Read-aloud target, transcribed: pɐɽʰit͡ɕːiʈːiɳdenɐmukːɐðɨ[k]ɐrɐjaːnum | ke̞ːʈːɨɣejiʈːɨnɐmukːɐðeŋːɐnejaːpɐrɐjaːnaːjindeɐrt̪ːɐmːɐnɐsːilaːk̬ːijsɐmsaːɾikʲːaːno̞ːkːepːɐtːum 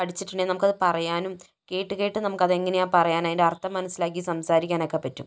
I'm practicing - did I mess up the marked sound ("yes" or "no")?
yes